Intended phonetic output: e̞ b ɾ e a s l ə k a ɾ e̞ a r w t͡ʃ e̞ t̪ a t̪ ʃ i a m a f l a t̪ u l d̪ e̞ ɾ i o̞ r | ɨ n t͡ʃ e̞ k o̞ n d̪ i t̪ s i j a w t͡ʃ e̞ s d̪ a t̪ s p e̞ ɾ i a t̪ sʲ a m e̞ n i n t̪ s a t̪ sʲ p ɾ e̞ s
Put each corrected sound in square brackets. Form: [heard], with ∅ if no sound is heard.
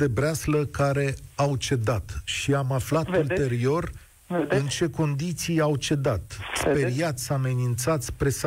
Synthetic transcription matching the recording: e̞ b ɾ e a s l ə k a ɾ e̞ a [∅] w t͡ʃ e̞ [d̪] a t̪ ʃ i a m a f l a t̪ u l [t̪] e̞ ɾ i o̞ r | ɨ n t͡ʃ e̞ k o̞ n d̪ i t̪ s i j a w t͡ʃ e̞ [∅] d̪ a t̪ s p e̞ ɾ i a t̪ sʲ a m e̞ n i n t̪ s a t̪ sʲ p ɾ e̞ s